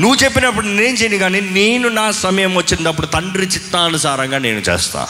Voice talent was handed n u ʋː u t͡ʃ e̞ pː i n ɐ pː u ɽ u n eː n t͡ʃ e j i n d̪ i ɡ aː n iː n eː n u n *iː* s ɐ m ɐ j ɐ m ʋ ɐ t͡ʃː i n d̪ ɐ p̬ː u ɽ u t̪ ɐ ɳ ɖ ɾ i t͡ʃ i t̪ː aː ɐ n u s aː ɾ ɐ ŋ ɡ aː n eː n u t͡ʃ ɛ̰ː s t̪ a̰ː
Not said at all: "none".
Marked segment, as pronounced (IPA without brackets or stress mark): aː